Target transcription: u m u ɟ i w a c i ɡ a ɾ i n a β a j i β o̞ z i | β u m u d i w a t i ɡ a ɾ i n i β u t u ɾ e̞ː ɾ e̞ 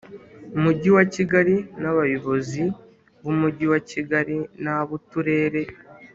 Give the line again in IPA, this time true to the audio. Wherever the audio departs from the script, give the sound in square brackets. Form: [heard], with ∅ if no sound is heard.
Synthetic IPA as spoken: u m u ɟ i w a c i ɡ a ɾ i n a β a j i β o̞ z i | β u m u [ɟ] i w a [c] i ɡ a ɾ i n [a] β u t u ɾ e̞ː ɾ e̞